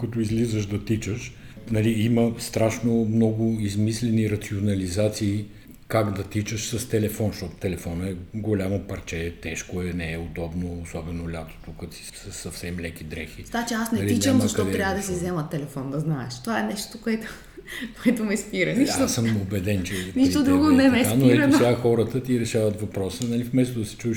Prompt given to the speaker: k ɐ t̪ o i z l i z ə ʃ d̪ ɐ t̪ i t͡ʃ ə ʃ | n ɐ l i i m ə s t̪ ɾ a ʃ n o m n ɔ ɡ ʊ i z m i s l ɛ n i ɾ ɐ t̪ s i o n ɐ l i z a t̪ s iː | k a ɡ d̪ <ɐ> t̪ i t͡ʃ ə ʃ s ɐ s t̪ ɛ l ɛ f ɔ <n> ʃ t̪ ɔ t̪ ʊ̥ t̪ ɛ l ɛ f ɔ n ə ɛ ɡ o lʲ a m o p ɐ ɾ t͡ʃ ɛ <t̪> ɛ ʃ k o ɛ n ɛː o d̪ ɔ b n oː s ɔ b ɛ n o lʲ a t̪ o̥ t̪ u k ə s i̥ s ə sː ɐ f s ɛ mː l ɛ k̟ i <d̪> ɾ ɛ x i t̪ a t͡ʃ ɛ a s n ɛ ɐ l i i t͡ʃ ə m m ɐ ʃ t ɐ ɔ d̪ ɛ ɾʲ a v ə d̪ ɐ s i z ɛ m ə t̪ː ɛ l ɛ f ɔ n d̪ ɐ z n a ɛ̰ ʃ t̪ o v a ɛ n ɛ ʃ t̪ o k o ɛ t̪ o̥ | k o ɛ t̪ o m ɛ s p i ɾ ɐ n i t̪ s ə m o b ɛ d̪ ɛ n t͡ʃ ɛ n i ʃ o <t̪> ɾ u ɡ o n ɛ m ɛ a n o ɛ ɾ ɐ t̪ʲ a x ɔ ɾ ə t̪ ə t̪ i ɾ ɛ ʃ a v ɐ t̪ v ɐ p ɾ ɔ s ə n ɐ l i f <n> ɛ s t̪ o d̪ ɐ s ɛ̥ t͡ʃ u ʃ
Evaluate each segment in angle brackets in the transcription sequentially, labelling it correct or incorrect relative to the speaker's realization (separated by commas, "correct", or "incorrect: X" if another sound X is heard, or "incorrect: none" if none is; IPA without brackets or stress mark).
correct, correct, correct, correct, incorrect: d̪, incorrect: m